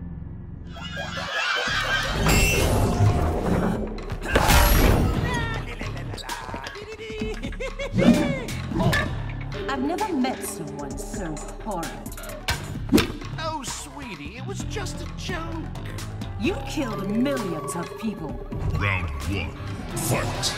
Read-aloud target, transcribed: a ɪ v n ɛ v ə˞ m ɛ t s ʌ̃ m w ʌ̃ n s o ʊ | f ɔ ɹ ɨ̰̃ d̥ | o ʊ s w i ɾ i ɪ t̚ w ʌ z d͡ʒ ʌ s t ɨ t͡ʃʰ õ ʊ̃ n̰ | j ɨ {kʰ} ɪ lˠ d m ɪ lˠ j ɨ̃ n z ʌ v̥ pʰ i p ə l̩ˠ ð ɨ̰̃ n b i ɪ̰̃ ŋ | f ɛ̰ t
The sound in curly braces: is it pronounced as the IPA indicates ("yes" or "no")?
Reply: yes